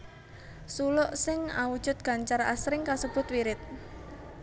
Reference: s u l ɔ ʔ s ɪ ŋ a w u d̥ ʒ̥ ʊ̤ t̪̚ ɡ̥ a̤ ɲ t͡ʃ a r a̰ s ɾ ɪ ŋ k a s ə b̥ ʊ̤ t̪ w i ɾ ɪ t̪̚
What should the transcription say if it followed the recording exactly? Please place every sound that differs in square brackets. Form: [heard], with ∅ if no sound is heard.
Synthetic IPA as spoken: s u l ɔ ʔ s ɪ ŋ a w u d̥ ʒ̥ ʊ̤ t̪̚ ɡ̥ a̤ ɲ t͡ʃ a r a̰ s ɾ ɪ ŋ k a s ə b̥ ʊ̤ t̪ w i ɾ ɪ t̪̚